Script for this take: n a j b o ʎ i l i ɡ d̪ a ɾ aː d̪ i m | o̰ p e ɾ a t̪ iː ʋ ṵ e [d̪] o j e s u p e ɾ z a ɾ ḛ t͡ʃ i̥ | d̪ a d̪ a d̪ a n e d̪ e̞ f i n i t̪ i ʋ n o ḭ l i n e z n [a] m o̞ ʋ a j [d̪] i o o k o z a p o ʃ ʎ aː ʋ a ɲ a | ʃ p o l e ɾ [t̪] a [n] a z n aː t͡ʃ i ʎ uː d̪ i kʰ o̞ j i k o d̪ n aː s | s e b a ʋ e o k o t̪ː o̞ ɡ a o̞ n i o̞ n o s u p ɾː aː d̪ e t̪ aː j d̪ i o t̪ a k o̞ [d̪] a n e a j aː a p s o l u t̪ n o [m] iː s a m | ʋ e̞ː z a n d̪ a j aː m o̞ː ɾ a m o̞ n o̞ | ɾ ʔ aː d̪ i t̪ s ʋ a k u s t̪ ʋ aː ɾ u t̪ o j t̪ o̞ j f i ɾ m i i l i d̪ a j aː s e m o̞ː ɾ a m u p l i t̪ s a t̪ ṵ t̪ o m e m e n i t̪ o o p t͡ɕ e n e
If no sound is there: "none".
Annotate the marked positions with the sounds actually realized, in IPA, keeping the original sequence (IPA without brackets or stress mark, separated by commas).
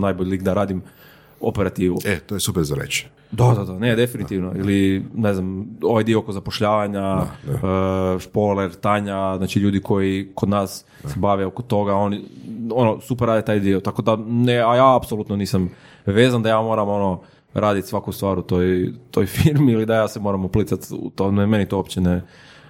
t̪, a, d̪, t̪, ɲ, d̪, n